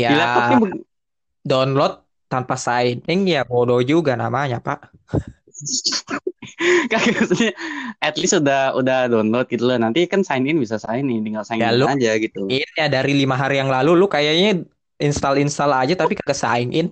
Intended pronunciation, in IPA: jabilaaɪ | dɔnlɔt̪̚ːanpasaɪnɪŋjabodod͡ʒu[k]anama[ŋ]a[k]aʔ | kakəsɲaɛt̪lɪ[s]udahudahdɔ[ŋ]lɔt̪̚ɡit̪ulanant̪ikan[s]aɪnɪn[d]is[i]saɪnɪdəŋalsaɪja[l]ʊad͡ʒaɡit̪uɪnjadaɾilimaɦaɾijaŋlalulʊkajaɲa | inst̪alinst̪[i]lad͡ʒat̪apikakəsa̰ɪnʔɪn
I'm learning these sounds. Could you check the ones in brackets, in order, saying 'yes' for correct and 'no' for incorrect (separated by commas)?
no, no, no, yes, no, yes, no, no, yes, no